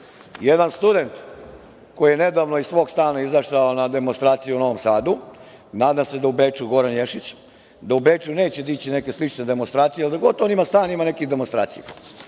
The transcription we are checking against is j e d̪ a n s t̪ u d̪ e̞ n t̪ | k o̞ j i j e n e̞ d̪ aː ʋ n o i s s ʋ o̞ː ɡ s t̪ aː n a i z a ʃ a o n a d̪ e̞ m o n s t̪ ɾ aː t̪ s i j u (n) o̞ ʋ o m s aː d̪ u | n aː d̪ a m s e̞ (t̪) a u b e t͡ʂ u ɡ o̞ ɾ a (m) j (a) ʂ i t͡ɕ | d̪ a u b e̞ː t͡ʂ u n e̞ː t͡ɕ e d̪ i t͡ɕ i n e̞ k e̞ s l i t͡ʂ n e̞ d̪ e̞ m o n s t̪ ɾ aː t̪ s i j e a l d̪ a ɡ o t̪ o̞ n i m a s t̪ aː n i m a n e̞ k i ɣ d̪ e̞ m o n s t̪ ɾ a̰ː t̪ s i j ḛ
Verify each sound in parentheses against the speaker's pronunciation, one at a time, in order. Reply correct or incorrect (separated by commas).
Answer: correct, incorrect, incorrect, incorrect